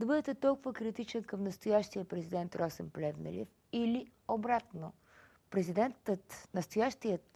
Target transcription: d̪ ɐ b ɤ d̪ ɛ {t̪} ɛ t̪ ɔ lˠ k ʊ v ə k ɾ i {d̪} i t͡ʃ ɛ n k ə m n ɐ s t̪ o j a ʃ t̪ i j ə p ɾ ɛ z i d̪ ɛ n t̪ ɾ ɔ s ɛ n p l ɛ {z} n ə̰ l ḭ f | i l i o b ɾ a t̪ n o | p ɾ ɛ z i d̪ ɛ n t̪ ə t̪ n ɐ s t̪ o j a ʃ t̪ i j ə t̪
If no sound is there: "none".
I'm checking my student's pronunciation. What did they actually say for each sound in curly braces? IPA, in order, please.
t̪, t̪, v

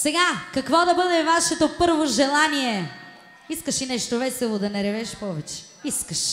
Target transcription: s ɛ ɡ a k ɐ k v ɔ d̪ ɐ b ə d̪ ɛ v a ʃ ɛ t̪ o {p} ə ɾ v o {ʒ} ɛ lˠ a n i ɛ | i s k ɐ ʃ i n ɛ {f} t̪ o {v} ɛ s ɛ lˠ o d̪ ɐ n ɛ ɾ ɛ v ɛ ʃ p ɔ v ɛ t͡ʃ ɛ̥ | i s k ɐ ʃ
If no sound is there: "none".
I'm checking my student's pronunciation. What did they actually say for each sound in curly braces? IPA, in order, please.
p, ʒ, ʃ, v

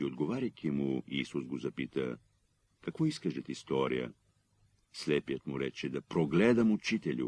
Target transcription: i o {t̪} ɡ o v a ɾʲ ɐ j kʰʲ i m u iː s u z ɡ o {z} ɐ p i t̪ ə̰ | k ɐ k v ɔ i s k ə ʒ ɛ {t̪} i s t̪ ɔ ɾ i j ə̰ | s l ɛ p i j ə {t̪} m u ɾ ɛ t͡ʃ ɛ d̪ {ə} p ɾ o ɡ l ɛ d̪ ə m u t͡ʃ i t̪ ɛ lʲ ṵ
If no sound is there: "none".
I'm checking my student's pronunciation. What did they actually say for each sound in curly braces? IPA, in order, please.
d̪, z, t̪, t̪, ɐ

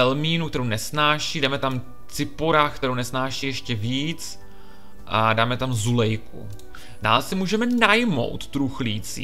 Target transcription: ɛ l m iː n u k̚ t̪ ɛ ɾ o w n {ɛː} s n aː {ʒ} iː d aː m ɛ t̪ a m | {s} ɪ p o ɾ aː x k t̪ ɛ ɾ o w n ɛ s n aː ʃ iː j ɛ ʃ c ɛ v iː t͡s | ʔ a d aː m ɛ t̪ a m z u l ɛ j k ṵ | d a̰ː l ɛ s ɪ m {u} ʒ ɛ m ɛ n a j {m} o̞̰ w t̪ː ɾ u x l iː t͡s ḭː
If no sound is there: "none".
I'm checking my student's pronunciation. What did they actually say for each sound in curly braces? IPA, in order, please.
ɛ, ʃ, t͡s, uː, m

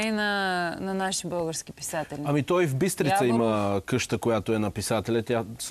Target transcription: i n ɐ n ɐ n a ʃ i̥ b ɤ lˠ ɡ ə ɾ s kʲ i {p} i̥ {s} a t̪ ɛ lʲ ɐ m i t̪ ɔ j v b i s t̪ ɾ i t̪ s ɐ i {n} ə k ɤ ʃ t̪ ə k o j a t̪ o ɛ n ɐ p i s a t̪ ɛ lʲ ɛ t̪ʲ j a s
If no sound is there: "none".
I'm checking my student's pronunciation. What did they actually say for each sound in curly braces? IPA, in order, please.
p, s, m

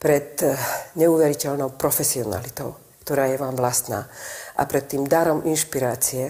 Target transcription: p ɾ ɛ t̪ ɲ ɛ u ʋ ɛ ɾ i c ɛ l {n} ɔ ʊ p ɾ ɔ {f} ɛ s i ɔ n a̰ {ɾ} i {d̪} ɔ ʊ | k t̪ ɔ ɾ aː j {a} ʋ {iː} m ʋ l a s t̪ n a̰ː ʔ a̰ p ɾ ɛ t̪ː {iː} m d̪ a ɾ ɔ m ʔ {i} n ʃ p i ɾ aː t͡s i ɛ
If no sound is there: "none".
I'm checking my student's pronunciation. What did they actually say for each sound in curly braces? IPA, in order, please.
n, f, l, t̪, ɛ, aː, iː, i

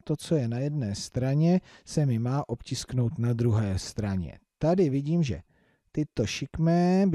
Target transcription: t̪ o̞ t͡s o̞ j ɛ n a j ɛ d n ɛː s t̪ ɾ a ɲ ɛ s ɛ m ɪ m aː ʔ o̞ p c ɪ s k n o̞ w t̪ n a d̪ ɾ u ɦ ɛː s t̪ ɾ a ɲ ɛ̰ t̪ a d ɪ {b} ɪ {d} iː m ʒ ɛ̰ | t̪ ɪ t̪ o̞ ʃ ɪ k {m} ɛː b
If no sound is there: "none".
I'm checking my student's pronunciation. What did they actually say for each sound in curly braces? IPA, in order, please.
v, ɟ, m

